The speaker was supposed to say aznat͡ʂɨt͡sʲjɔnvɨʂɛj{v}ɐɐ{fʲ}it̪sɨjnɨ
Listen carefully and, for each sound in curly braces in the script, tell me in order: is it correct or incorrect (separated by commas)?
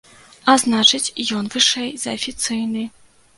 incorrect, correct